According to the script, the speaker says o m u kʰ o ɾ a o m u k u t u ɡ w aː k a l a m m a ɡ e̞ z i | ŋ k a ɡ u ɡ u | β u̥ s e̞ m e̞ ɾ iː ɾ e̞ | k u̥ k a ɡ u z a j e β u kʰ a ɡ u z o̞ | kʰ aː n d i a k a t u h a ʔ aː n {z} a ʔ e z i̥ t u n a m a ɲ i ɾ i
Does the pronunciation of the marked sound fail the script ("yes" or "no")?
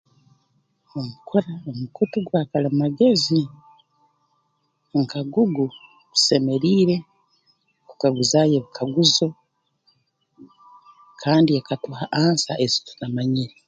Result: yes